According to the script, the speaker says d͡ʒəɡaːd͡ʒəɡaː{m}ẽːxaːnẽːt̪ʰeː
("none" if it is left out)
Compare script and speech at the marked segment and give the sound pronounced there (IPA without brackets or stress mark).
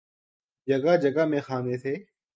m